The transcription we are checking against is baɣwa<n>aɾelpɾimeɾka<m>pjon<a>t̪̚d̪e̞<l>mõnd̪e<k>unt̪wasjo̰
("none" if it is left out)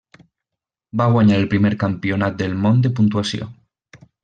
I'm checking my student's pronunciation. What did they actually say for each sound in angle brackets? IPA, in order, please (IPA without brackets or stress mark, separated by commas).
ɲ, m, a, l, p